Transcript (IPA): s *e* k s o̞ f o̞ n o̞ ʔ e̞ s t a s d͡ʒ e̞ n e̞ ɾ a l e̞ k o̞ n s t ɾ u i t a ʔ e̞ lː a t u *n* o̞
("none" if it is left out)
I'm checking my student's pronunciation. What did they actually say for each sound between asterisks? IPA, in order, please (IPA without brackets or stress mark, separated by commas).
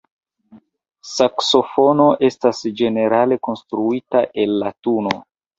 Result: a, n